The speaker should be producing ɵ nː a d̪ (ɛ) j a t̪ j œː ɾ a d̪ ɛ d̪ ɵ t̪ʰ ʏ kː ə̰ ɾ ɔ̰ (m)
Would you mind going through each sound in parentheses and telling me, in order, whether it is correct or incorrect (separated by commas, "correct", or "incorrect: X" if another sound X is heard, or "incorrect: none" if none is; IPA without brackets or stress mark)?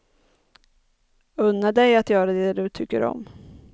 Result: correct, correct